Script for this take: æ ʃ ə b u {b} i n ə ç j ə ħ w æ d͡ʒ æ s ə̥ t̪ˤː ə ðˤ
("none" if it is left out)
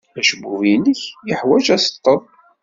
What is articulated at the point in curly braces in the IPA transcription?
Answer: v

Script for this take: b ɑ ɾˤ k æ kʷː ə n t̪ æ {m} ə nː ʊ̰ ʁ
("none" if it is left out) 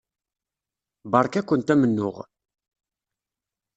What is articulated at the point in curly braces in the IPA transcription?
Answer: m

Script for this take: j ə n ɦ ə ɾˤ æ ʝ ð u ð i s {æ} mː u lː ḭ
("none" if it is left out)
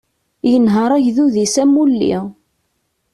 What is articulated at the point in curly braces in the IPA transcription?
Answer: æ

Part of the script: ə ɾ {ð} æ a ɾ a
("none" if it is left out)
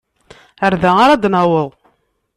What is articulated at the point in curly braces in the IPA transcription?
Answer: ð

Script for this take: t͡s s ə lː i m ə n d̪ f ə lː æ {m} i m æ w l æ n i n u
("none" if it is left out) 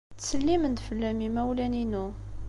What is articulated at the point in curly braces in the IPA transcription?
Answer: m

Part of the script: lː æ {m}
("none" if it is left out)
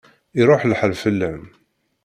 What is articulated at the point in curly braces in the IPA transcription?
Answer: m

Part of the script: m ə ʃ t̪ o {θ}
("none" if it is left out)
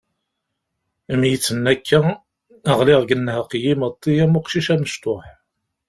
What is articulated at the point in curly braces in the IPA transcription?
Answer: ħ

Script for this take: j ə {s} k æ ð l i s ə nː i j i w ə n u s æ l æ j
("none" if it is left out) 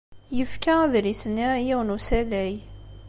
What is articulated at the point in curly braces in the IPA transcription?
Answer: f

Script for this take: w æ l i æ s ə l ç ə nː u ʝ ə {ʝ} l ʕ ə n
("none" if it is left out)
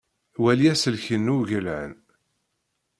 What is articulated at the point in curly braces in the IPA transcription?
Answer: none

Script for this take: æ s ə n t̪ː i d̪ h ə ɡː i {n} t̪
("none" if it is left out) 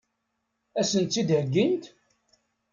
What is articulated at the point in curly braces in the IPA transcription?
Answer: n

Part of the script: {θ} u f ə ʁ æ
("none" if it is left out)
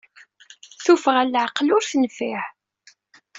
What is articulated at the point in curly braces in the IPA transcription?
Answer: θ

